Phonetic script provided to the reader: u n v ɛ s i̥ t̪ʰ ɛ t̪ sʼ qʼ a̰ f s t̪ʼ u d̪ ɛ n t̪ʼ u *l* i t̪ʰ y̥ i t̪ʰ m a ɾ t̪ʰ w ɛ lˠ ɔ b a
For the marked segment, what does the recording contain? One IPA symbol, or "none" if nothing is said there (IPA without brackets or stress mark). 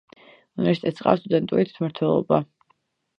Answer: ɾ